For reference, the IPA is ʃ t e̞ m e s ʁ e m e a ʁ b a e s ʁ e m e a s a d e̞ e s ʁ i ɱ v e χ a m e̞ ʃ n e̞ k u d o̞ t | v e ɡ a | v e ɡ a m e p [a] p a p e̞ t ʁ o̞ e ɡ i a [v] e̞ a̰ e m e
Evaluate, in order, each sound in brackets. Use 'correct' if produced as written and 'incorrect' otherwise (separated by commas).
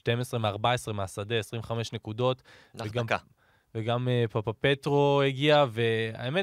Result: correct, correct